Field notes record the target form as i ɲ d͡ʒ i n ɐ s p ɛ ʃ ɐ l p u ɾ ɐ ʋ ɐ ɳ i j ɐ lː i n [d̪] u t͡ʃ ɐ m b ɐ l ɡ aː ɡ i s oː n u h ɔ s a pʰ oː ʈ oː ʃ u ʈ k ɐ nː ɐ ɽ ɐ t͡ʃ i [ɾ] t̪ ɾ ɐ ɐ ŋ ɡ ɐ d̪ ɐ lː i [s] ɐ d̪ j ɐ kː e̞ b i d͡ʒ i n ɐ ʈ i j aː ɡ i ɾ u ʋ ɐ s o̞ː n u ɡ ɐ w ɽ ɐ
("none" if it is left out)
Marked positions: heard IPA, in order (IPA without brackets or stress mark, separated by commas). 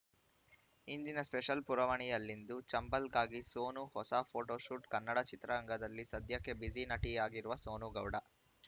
d̪, none, s